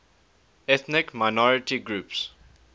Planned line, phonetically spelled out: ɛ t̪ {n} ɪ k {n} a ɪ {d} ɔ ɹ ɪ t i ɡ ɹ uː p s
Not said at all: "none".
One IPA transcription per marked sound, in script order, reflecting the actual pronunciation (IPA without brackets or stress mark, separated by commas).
n, m, n